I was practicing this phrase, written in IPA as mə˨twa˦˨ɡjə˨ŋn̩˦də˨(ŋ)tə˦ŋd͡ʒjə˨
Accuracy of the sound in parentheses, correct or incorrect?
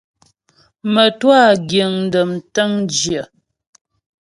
incorrect